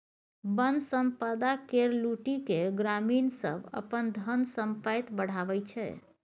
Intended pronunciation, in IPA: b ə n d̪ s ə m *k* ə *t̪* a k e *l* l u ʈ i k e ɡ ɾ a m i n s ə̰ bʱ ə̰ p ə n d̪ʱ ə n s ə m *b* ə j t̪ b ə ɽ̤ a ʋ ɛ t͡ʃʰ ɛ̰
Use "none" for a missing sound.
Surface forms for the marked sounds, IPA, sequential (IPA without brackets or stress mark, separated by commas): p, d̪, ɾ, p